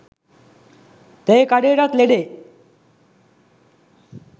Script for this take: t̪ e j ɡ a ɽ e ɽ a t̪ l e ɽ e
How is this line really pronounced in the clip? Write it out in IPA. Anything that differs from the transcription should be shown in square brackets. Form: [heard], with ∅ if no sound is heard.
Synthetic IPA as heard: t̪ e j [k] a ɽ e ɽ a t̪ l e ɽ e